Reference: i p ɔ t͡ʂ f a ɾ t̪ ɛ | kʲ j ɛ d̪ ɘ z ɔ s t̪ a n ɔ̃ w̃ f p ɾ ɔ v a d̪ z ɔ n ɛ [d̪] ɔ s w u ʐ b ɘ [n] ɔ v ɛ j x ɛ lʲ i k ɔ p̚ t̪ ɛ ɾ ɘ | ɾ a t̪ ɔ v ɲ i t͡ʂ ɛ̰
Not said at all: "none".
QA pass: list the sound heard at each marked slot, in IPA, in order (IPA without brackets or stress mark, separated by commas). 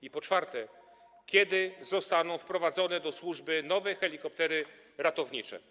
d̪, n